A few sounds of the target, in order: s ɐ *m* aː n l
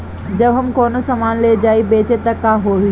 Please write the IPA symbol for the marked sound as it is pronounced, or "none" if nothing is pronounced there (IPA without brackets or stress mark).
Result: m